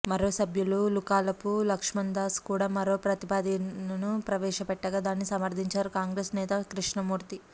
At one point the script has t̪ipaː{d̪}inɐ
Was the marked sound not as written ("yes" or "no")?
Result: no